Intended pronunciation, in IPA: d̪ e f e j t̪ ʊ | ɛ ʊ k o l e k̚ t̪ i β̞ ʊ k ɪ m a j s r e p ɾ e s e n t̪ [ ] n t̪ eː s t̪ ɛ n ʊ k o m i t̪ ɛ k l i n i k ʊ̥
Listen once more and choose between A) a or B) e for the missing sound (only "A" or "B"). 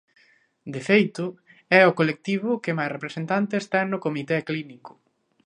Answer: A